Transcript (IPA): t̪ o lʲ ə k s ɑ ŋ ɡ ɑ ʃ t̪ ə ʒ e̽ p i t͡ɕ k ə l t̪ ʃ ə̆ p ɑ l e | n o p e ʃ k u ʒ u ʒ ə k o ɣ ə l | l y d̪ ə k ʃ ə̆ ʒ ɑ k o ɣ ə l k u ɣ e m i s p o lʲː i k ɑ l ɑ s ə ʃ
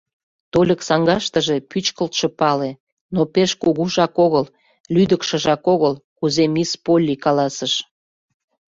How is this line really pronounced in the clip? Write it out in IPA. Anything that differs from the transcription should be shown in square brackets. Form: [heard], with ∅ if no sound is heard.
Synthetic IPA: t̪ o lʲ ə k s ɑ ŋ ɡ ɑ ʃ t̪ ə ʒ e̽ p [y] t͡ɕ k ə l t̪ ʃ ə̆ p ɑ l e | n o p e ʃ k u [ɣ] u ʒ [ɑ] k o ɣ ə l | l y d̪ ə k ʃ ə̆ ʒ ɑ k o ɣ ə l k u [z] e m i s p o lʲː i k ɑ l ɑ s ə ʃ

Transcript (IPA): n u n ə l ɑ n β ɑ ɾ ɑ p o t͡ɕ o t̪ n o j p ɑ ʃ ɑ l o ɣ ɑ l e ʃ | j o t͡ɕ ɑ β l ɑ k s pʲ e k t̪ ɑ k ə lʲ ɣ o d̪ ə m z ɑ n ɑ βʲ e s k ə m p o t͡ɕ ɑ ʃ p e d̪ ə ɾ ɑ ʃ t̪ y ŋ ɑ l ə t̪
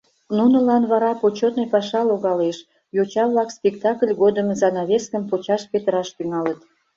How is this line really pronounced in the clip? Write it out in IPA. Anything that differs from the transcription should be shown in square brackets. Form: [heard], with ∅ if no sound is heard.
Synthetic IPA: n u n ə l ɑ n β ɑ ɾ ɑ p o t͡ɕ o t̪ n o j p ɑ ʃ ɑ l o ɣ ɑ l e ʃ | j o t͡ɕ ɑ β l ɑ k s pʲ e k t̪ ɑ k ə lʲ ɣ o d̪ ə m z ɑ n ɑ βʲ e s k ə m p o t͡ɕ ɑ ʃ p e [t̪] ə ɾ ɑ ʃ t̪ y ŋ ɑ l ə t̪

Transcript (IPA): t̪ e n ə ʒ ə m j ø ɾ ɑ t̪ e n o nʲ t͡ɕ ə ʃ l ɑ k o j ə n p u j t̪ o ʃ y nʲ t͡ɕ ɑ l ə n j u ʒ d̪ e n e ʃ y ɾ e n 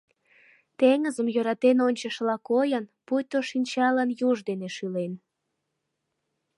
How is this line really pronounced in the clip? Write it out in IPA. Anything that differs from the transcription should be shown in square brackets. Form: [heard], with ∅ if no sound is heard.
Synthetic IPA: t̪ e [ŋ] ə [z] ə m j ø ɾ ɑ t̪ e n o nʲ t͡ɕ ə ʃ l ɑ k o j ə n p u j t̪ o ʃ [i] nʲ t͡ɕ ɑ l ə n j u ʒ d̪ e n e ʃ y [l] e n

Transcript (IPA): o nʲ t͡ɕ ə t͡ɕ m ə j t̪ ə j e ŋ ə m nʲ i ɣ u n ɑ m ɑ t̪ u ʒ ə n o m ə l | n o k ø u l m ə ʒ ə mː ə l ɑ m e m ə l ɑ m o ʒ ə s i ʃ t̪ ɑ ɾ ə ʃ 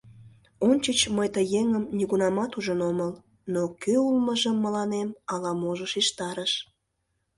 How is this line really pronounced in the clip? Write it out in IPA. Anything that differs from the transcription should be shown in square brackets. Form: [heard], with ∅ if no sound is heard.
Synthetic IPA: o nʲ t͡ɕ ə t͡ɕ m ə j t̪ ə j e ŋ ə m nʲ i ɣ u n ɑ m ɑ t̪ u ʒ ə n o m ə l | n o k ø u l m ə ʒ ə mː ə l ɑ [n] e m [ɑ] l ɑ m o ʒ ə [ʃ] i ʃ t̪ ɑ ɾ ə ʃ

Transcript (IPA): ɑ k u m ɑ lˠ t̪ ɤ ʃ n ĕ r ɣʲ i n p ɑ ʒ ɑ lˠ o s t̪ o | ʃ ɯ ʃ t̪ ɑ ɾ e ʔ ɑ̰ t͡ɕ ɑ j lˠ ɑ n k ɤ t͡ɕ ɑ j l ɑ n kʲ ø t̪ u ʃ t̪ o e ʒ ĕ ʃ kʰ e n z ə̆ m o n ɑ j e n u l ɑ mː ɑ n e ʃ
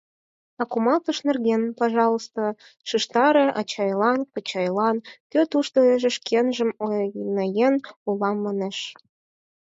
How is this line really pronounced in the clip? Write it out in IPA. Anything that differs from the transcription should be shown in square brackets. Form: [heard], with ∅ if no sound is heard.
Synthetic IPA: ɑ k u m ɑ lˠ t̪ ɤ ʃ n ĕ r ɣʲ [e] n p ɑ ʒ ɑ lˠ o s t̪ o | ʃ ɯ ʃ t̪ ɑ ɾ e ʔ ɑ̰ t͡ɕ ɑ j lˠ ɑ n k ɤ t͡ɕ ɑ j l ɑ n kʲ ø t̪ u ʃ t̪ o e ʒ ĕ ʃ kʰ e n [ʒ] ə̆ m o n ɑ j e n u l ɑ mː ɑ n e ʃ

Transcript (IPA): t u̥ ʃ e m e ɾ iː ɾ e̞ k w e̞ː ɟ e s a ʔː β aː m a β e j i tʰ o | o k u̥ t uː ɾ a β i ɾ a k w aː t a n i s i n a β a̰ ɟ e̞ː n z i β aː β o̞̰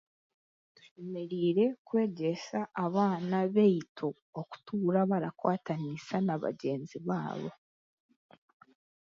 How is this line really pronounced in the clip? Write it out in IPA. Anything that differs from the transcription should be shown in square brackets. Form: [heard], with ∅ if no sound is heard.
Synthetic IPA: t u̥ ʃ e m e ɾ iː ɾ e̞ k w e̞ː ɟ e s a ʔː β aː [n] a β e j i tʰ o | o k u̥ t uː ɾ a β [a] ɾ a k w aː t a n i s [a] n a β a̰ ɟ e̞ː n z i β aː β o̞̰

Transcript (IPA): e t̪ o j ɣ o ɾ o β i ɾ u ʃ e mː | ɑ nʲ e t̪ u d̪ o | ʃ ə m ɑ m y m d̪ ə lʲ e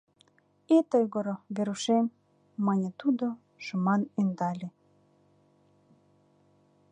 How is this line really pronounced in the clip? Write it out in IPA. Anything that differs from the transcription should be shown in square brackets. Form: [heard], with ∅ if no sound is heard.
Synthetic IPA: e t̪ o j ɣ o ɾ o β [e] ɾ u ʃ e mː | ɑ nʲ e t̪ u d̪ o | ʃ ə m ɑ [n] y [n] d̪ [ɑ] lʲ e

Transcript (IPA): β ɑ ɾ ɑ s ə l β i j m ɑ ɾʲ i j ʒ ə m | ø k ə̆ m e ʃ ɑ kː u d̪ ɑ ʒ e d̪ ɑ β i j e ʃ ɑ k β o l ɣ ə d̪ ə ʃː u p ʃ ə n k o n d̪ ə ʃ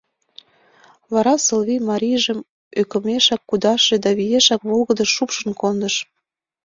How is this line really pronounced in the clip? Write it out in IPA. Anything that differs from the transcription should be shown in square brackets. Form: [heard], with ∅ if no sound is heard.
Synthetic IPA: β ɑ ɾ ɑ s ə l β i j m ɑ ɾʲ i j ʒ ə m | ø k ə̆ m e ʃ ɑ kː u d̪ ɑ [ʃ] e d̪ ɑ β i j e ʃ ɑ k β o l ɣ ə d̪ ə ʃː u p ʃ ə n k o n d̪ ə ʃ

